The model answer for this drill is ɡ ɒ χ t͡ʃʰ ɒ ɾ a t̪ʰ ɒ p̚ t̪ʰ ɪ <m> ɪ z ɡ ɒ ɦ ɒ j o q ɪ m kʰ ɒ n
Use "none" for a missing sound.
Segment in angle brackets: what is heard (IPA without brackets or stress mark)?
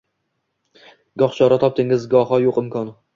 ŋ